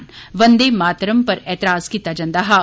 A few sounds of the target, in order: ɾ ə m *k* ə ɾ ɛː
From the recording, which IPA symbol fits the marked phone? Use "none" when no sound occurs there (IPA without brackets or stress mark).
p